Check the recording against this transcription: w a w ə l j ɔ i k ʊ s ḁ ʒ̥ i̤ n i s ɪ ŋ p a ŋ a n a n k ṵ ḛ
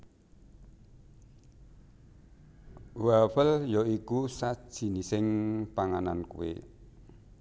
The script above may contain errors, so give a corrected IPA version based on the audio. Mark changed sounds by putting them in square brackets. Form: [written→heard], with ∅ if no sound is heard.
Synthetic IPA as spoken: w a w ə l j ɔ i k [ʊ→u] s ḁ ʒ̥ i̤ n i s ɪ ŋ p a ŋ a n a n k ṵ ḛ